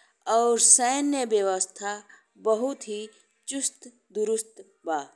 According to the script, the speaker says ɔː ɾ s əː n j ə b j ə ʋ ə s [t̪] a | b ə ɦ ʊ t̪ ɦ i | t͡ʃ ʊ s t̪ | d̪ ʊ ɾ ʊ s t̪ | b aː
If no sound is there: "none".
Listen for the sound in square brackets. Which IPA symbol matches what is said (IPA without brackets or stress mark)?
t̪ʰ